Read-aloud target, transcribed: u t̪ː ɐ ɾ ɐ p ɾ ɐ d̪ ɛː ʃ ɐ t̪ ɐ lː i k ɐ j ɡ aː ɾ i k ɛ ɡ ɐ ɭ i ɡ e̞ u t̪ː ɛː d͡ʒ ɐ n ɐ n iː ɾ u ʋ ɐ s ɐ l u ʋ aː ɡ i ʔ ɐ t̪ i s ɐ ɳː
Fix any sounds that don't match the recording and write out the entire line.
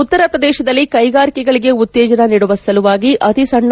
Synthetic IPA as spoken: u t̪ː ɐ ɾ ɐ p ɾ ɐ d̪ ɛː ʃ ɐ d̪ ɐ lː i k ɐ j ɡ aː ɾ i k ɛ ɡ ɐ ɭ i ɡ e̞ u t̪ː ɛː d͡ʒ ɐ n ɐ n iː ɽ u ʋ ɐ s ɐ l u ʋ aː ɡ i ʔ ɐ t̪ i s ɐ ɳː